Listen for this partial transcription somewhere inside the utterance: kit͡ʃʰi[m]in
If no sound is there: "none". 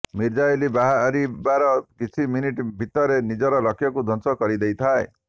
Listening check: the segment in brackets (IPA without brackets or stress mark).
m